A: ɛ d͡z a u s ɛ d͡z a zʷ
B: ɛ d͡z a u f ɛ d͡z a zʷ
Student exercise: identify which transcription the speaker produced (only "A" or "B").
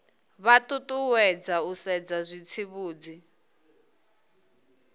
A